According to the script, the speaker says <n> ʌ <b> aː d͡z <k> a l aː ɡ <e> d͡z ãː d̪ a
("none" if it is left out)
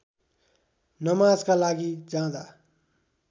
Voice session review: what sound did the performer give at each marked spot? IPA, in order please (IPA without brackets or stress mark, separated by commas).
n, m, k, i